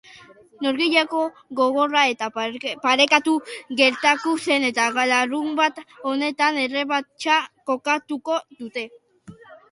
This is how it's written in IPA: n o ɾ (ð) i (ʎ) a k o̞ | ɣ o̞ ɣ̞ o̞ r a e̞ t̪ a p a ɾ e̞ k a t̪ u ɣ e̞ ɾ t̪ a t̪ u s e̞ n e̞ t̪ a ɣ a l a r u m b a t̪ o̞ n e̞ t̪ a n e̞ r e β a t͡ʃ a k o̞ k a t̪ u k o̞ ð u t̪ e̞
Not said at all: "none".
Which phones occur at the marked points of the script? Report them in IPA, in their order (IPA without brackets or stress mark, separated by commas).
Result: ɣ, ʎ